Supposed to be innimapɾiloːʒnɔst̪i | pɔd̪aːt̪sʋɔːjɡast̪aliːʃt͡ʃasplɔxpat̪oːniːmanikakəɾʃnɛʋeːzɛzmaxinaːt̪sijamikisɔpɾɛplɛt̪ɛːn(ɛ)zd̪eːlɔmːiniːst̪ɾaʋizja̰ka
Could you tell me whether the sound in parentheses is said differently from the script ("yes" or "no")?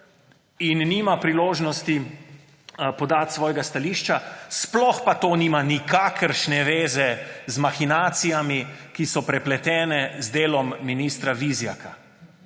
no